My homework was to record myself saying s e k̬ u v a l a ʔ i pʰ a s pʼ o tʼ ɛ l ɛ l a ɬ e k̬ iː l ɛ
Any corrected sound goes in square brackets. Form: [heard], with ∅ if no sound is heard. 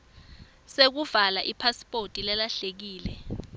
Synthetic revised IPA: s e k̬ u v a l a ʔ i pʰ a s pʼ o tʼ [i] l ɛ l a ɬ e k̬ iː l ɛ

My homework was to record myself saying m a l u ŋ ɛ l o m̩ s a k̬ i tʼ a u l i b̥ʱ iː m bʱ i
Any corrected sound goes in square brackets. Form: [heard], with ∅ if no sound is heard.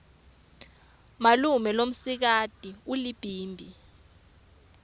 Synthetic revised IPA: m a l u [m] ɛ l o m̩ s [i] k̬ [a] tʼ [i] u l i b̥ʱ iː m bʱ i

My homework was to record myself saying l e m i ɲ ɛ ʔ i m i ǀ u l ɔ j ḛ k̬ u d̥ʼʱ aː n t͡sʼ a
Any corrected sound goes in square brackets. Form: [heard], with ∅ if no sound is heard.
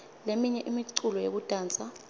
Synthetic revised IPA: l e m i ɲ ɛ ʔ i m i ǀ u l ɔ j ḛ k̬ u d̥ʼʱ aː n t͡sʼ a

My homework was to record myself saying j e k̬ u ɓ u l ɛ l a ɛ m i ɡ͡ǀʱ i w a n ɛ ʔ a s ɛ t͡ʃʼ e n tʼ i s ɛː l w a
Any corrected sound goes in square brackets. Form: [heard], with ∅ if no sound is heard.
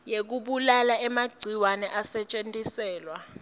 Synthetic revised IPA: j e k̬ u ɓ u l [a] l a ɛ m [a] ɡ͡ǀʱ i w a n ɛ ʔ a s ɛ t͡ʃʼ e n tʼ i s ɛː l w a

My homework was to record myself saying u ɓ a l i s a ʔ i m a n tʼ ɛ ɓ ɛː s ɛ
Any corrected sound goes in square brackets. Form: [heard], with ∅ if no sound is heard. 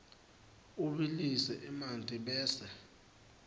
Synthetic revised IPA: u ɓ [i] l i s [ɛ] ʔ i m a n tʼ [i] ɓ ɛː s ɛ

